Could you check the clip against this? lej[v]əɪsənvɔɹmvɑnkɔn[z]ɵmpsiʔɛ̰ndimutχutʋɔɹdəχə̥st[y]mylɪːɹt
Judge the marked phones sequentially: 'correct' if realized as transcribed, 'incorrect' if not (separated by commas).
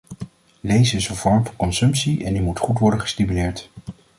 incorrect, incorrect, incorrect